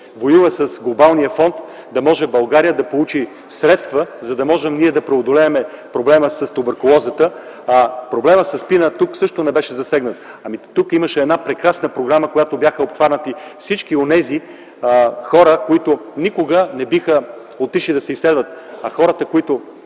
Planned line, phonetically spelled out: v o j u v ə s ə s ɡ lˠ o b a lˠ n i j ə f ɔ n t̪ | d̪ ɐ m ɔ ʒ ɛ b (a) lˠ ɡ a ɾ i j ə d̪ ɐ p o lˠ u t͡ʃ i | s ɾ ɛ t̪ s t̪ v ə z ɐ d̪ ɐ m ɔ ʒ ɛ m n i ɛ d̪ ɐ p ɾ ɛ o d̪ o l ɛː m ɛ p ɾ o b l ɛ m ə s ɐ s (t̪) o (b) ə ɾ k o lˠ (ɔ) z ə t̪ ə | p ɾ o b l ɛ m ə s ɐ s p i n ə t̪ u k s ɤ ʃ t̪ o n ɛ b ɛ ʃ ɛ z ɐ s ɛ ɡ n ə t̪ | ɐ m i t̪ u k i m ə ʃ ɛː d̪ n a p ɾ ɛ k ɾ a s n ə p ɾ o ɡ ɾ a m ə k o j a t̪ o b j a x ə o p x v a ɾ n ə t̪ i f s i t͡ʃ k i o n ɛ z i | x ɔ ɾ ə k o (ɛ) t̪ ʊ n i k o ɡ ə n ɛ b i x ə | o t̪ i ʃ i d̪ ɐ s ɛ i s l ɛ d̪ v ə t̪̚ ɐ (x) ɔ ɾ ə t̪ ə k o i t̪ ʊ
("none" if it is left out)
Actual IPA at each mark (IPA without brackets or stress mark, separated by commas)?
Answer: ɐ, t̪, b, ɔ, i, x